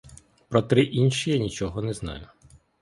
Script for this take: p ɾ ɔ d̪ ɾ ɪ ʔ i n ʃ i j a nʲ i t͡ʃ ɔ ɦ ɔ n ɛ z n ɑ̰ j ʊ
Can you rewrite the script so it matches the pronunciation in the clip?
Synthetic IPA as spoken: p ɾ ɔ t̪ ɾ ɪ ʔ i n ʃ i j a nʲ i t͡ʃ ɔ ɦ ɔ n ɛ z n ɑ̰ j ʊ